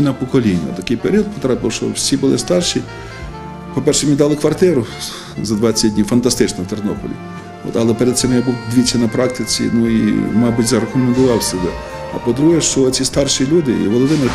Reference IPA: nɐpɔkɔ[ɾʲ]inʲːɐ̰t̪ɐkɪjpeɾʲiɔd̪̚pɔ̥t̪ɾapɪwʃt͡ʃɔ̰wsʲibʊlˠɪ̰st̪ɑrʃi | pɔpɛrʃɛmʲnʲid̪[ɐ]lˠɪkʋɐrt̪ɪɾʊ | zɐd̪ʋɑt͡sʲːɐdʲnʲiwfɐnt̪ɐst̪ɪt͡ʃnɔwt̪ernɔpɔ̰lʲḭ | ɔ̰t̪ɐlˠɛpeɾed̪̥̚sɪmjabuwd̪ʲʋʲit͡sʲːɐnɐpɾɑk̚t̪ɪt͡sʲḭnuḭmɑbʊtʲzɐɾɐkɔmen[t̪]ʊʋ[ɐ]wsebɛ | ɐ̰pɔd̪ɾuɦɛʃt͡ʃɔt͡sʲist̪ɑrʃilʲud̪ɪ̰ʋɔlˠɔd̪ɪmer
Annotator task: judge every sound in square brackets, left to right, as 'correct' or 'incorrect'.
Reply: incorrect: lʲ, incorrect: ɑ, incorrect: d̪, incorrect: ɑ

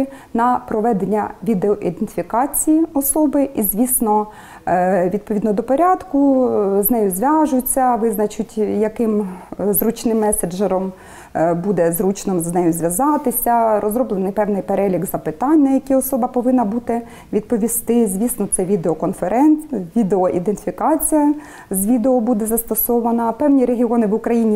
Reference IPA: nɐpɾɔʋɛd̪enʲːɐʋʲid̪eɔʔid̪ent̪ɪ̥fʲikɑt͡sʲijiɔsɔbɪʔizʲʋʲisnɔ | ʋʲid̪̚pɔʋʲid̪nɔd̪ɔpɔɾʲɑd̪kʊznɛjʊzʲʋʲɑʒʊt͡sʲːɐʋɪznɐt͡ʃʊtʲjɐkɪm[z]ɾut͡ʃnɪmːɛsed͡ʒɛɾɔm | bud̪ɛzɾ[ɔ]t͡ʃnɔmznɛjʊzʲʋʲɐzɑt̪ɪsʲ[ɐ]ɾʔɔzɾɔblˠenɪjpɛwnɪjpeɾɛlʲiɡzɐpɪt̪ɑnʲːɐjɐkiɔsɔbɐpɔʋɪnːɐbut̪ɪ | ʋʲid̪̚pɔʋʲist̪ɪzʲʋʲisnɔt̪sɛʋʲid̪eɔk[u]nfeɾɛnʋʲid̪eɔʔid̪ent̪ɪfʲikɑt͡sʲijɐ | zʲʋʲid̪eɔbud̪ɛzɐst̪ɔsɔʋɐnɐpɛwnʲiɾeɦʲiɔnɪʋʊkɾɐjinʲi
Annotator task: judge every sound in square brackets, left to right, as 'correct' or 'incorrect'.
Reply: correct, incorrect: u, correct, incorrect: ɔ

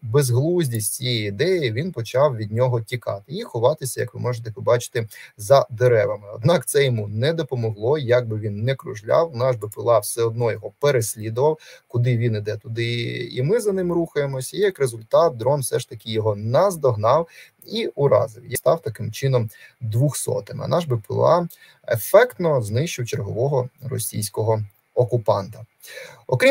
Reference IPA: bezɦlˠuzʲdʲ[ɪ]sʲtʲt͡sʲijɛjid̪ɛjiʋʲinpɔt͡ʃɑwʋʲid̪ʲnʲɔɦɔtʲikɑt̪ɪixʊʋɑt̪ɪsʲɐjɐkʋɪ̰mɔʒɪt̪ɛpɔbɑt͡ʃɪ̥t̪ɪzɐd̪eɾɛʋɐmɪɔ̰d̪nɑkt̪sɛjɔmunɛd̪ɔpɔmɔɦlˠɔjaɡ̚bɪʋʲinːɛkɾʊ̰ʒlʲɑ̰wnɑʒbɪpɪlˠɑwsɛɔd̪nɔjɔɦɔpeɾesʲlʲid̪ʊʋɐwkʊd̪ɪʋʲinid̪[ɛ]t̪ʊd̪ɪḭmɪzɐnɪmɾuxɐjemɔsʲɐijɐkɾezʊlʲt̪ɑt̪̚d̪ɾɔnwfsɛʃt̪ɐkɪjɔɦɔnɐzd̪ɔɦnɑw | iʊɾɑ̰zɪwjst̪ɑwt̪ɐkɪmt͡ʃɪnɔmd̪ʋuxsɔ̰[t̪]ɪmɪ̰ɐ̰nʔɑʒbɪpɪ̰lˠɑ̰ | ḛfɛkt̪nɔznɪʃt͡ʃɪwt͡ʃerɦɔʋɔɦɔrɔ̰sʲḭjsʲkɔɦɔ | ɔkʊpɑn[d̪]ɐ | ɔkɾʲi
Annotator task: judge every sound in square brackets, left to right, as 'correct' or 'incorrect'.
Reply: incorrect: i, correct, correct, incorrect: t̪

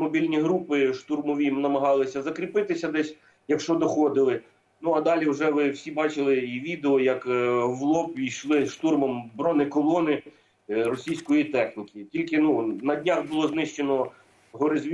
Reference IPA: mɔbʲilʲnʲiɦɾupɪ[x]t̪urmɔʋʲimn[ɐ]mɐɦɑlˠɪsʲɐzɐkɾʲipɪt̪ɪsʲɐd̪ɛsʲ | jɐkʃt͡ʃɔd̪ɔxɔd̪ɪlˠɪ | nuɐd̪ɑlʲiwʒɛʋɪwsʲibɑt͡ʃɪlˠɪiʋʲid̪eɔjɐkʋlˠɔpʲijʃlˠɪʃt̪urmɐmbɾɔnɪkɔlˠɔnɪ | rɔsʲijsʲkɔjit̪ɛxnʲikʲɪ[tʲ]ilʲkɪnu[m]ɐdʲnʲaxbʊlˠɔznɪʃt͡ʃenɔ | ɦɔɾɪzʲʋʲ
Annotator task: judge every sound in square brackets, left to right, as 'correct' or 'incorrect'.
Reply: incorrect: ʃ, correct, correct, incorrect: n

